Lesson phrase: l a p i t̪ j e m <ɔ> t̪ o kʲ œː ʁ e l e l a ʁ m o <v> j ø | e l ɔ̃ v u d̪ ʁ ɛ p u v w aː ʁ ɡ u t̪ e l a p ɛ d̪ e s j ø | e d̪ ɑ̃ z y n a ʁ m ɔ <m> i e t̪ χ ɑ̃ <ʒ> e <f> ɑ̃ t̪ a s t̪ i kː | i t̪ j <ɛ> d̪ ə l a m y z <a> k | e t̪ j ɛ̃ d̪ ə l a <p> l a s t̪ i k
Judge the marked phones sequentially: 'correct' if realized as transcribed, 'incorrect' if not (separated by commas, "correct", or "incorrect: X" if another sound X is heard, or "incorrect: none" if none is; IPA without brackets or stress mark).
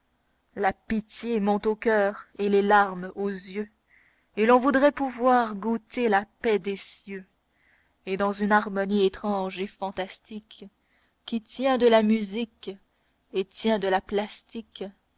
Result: incorrect: ɔ̃, incorrect: z, incorrect: n, correct, correct, incorrect: ɛ̃, incorrect: i, correct